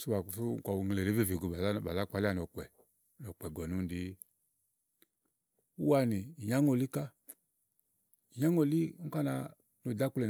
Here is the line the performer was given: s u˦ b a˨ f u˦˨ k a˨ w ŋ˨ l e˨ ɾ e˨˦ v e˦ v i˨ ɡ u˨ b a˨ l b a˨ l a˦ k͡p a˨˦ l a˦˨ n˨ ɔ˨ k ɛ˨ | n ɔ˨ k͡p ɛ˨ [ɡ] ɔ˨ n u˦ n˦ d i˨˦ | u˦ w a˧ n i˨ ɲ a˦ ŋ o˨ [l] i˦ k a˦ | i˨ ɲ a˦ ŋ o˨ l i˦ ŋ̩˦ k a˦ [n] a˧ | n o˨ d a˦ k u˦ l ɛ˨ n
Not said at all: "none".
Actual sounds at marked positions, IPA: ɡ, l, n

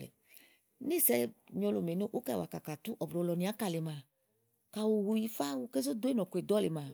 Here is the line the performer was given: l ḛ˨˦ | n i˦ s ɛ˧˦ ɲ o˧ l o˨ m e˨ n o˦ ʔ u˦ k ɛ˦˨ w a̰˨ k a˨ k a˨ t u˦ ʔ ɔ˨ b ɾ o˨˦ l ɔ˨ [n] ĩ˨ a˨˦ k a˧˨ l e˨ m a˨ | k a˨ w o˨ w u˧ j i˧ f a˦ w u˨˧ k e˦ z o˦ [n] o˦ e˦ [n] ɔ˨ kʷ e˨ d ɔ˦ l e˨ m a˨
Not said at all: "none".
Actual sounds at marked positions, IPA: n, d, n

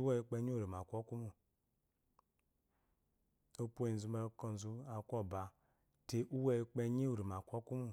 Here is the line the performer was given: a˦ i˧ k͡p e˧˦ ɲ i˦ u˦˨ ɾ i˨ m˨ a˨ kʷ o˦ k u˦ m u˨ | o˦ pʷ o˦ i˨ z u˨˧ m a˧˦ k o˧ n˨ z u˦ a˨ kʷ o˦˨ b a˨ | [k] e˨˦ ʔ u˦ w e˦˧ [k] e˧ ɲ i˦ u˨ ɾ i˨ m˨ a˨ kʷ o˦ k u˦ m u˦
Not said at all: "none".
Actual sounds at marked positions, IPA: t, k͡p

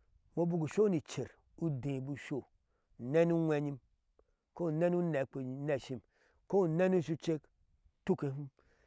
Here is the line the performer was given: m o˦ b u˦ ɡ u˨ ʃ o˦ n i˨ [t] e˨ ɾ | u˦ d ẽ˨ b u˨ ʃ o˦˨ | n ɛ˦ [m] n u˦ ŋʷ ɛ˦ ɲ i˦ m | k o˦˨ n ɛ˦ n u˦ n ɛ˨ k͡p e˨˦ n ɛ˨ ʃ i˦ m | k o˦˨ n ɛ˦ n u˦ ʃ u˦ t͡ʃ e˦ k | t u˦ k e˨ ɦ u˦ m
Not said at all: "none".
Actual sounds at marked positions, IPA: t͡ʃ, none

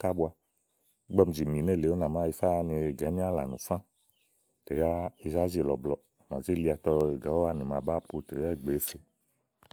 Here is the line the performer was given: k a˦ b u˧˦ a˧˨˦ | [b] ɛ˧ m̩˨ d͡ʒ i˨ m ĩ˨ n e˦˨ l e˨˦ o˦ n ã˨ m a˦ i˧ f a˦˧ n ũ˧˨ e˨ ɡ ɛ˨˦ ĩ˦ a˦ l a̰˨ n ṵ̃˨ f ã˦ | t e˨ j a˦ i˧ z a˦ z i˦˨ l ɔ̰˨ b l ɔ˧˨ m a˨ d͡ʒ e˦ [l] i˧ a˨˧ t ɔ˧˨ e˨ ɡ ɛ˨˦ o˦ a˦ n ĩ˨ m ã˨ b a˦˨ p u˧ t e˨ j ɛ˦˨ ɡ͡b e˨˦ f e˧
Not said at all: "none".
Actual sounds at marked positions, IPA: ɡ͡b, l

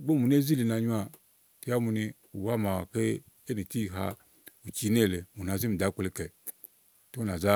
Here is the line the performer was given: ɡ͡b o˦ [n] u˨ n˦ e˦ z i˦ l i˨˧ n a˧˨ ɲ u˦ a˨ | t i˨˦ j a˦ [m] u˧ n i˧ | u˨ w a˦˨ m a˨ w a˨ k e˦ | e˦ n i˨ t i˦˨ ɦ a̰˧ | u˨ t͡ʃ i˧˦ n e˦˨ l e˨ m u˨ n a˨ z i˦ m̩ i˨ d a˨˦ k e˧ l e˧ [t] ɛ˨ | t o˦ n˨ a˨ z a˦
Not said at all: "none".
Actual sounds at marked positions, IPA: m, m, k

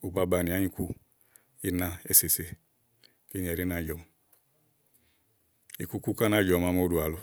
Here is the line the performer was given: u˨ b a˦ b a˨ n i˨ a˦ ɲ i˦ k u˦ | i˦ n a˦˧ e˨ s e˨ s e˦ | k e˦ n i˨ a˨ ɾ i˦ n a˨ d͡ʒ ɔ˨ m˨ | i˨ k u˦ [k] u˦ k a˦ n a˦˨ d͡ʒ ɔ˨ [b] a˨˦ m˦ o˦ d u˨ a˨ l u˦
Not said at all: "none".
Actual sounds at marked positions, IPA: k, m

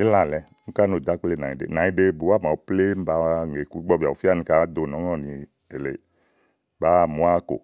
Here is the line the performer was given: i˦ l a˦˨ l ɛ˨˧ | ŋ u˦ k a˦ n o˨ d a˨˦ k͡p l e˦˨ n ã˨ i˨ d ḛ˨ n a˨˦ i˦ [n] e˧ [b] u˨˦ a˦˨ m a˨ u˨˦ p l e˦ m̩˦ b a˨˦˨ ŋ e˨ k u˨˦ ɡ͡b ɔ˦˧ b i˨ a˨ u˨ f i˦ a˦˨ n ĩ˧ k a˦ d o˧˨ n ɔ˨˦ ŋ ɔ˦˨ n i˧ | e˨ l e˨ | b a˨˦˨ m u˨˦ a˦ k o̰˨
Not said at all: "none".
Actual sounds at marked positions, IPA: d, b

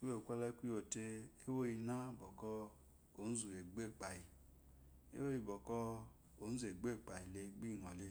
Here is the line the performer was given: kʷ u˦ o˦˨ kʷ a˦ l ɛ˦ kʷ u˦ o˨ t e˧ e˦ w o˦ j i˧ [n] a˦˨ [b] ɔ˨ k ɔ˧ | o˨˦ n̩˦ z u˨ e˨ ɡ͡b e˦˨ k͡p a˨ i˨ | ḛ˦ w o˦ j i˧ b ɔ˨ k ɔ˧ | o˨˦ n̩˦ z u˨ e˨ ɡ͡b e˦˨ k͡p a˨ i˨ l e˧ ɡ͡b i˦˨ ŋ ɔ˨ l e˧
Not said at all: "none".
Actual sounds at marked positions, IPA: n, b

